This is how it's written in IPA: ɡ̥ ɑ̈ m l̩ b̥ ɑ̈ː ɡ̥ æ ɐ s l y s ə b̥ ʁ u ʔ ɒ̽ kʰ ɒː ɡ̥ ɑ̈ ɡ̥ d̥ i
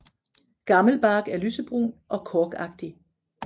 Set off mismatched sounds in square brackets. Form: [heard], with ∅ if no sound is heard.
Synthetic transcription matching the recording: ɡ̥ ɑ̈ m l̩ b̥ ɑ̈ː ɡ̥ æ ɐ [∅] l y s ə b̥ ʁ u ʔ ɒ̽ kʰ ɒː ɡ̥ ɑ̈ ɡ̥ d̥ i